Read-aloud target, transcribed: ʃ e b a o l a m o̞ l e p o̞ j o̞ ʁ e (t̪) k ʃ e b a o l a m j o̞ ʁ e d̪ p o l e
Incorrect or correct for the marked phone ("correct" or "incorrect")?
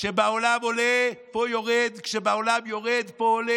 incorrect